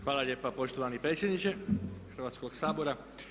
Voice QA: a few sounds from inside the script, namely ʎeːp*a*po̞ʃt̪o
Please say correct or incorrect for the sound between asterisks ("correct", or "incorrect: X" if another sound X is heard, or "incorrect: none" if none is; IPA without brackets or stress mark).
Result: correct